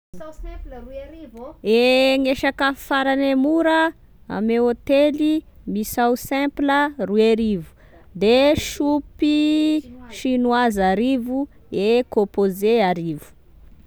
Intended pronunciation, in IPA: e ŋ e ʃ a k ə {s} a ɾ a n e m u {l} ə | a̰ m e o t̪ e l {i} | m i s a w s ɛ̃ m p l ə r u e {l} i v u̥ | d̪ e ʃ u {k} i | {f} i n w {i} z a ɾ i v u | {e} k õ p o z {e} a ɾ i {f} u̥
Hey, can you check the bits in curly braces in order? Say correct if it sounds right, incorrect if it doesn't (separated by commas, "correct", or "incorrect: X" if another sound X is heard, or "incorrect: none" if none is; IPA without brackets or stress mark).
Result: incorrect: f, incorrect: ɾ, correct, incorrect: ɾ, incorrect: p, incorrect: ʃ, incorrect: a, correct, correct, incorrect: v